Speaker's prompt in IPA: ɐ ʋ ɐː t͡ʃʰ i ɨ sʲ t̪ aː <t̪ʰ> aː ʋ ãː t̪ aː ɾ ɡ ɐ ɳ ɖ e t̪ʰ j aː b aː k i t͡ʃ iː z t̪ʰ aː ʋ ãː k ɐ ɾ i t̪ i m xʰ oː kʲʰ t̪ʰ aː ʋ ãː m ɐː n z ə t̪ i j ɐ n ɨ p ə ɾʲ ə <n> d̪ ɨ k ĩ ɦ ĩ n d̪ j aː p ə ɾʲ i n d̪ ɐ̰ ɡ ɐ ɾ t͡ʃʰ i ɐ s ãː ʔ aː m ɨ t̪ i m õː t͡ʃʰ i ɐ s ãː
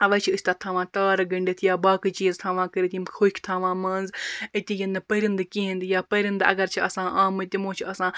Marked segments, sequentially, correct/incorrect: correct, correct

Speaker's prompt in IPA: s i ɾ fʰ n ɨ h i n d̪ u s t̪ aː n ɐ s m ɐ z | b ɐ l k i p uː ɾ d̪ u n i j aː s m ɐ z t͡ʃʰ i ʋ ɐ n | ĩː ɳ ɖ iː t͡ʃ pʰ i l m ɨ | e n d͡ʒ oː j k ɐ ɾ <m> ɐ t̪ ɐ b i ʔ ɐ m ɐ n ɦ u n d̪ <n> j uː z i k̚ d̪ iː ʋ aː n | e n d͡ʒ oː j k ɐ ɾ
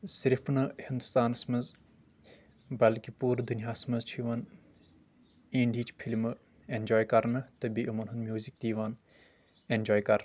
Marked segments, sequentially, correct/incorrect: incorrect, incorrect

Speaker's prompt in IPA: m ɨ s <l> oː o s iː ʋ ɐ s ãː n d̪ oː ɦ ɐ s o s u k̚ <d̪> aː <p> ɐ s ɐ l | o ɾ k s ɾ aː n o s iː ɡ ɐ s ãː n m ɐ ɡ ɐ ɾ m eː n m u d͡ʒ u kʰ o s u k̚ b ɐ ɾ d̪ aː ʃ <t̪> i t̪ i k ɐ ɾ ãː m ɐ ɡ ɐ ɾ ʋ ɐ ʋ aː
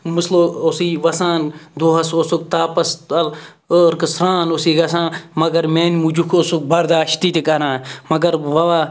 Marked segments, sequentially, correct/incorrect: correct, incorrect, correct, correct

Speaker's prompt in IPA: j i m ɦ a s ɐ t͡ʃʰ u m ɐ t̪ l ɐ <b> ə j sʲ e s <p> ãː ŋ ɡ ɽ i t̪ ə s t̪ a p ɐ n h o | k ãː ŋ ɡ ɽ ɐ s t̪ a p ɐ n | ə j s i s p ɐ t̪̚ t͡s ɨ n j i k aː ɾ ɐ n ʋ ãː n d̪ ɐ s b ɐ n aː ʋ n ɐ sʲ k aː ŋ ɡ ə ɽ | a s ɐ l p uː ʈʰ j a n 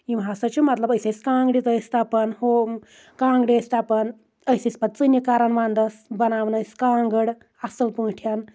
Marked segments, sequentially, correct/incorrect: correct, incorrect

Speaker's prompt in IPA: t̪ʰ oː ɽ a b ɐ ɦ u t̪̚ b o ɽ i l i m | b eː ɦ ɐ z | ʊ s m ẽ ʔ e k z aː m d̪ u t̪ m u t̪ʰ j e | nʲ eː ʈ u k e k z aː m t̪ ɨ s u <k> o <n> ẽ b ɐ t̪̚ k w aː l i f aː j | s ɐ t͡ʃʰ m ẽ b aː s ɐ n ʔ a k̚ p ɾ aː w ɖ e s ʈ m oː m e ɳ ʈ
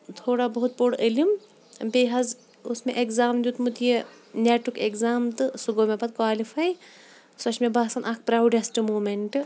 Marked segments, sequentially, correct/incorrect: incorrect, incorrect

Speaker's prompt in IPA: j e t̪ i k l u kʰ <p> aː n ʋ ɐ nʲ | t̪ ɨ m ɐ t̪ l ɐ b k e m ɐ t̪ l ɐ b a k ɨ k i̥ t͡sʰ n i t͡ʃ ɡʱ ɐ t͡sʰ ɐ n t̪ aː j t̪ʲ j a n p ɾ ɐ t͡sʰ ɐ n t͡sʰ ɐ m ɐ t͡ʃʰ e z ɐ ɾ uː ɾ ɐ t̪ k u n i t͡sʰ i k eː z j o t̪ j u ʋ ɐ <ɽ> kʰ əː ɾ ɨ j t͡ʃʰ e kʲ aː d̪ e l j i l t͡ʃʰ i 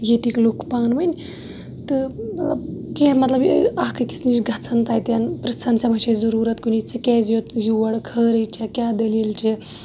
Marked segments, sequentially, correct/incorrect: correct, correct

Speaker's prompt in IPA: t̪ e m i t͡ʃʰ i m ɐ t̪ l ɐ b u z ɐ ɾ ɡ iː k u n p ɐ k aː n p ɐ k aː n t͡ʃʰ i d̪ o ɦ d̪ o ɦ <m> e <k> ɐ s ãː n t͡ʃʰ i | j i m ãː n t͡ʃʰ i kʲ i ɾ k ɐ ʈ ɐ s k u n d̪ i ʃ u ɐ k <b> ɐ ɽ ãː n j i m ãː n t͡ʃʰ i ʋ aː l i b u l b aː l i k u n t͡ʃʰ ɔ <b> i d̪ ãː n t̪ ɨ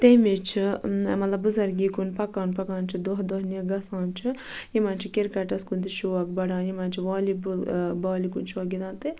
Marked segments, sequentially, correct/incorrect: incorrect, incorrect, correct, incorrect

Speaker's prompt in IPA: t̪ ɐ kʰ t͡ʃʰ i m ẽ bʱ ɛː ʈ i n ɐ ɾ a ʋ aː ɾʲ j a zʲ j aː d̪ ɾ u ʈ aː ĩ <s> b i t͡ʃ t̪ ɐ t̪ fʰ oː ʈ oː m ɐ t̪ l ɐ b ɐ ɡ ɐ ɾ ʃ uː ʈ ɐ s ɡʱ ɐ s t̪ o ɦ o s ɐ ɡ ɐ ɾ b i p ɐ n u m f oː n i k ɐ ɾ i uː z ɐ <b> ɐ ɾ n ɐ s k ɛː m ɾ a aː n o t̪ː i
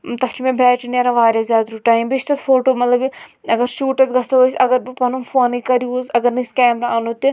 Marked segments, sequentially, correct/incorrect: incorrect, incorrect

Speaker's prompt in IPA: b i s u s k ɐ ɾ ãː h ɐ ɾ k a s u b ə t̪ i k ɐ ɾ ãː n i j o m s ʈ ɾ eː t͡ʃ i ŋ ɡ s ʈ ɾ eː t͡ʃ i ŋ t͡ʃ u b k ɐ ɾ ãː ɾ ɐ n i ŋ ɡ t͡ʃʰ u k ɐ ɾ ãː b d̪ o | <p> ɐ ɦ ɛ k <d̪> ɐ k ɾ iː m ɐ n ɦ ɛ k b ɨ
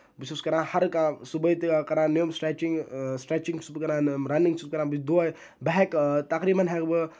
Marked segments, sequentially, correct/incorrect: incorrect, incorrect

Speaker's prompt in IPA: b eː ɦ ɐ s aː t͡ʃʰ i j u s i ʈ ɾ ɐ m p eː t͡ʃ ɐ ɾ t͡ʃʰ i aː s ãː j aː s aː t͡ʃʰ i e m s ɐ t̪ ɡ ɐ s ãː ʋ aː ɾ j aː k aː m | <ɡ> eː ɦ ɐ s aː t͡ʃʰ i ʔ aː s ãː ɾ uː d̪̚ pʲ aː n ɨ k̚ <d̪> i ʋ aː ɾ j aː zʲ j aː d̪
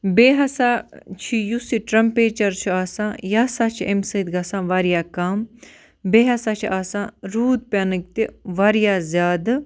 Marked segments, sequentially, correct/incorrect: incorrect, incorrect

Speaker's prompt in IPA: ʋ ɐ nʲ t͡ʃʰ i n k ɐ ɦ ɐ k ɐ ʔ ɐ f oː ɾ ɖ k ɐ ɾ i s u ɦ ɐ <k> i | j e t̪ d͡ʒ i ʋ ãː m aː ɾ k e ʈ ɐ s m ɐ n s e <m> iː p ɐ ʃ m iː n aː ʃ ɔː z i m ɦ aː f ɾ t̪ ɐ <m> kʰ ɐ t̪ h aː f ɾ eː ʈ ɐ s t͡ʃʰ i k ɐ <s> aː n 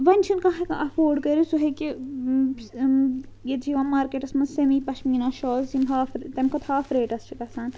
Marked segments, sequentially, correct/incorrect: correct, correct, correct, correct

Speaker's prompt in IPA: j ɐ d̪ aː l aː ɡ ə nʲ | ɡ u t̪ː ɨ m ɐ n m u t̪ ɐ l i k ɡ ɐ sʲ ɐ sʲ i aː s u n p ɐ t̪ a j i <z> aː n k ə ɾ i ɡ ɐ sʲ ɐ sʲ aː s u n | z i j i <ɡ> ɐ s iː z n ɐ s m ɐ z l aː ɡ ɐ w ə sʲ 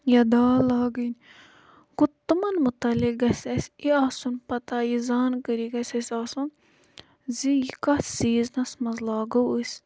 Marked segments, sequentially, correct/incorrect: correct, incorrect

